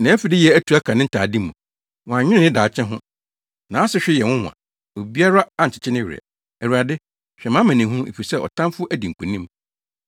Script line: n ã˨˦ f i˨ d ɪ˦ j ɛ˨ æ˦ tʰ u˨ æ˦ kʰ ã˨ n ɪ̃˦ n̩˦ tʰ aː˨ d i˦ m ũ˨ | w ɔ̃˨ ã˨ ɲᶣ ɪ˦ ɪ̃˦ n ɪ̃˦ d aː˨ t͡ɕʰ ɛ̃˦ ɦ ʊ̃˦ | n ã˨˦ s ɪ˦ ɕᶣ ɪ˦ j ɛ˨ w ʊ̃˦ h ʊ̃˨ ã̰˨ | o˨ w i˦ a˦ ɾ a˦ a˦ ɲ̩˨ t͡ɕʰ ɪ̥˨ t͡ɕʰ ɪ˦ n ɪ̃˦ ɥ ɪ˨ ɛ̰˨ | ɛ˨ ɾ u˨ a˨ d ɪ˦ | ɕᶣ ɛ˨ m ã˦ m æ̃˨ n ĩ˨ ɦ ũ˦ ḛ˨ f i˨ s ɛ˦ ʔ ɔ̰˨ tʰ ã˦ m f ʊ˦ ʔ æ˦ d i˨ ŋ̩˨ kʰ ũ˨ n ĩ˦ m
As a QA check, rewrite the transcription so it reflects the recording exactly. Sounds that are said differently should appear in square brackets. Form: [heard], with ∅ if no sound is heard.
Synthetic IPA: n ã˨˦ f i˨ d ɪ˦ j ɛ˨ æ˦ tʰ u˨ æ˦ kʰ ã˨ n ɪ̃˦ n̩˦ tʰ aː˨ d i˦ m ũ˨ | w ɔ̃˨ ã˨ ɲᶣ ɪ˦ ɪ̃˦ n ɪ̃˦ d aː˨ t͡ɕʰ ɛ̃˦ ɦ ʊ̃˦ | n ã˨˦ s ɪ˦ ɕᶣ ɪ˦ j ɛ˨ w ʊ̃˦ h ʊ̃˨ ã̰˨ | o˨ [b] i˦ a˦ ɾ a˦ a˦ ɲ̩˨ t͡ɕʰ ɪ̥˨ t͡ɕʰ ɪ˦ n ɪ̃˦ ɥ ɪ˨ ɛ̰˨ | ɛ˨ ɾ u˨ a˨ d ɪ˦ | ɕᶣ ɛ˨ m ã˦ m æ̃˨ n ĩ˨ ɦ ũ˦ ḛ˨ f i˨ s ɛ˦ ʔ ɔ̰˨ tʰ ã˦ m f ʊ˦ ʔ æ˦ d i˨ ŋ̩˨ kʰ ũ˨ n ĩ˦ m